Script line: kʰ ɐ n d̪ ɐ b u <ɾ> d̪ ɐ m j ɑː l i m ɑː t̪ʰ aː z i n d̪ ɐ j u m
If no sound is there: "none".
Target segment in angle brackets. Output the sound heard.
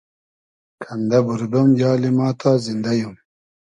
ɾ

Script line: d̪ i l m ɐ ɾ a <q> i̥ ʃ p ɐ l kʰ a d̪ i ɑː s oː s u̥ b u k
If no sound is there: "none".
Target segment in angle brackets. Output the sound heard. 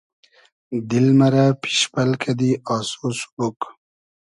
p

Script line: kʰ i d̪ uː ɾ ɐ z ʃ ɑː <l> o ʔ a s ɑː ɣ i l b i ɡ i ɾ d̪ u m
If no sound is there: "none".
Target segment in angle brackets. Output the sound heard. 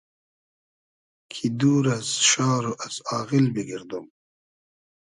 ɾ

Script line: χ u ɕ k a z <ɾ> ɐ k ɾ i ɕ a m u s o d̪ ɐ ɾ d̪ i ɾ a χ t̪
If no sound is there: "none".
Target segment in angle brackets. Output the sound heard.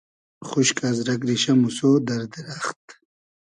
ɾ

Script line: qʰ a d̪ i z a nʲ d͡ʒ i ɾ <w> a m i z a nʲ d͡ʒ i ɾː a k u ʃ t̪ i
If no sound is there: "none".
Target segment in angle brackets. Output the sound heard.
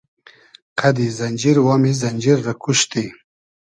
w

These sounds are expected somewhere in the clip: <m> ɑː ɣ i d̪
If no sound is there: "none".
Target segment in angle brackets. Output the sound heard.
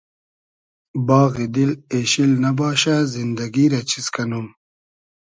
b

